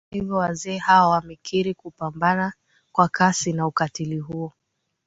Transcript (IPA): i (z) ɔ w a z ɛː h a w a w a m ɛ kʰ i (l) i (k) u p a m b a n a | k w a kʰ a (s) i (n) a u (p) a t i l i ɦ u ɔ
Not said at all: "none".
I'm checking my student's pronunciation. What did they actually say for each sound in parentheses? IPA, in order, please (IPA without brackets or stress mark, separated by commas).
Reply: v, ɾ, k, s, n, k